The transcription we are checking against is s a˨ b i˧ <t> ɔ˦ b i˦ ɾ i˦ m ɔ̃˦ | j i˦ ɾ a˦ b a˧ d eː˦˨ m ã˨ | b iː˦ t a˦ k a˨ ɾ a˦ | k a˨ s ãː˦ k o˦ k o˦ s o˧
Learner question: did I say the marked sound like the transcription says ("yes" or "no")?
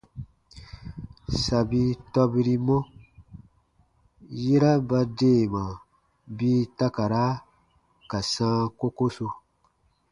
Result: yes